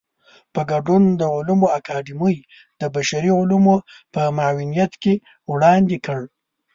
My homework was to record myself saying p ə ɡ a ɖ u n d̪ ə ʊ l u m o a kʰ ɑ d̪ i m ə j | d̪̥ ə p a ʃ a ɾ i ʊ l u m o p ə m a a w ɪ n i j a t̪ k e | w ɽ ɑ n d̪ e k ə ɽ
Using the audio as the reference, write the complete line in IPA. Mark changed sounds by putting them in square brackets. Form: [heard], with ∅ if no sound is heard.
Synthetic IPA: p ə ɡ a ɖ u n d̪ ə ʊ l u m o a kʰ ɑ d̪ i m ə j | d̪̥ ə [b] a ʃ a ɾ i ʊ l u m o p ə m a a w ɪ n i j a t̪ k e | w ɽ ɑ n d̪ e k ə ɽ